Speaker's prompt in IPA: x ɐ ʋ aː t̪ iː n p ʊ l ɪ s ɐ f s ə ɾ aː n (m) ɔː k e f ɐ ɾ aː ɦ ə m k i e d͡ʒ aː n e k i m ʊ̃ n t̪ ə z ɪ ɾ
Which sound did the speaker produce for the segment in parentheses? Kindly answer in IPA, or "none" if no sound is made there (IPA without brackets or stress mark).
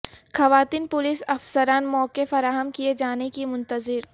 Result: m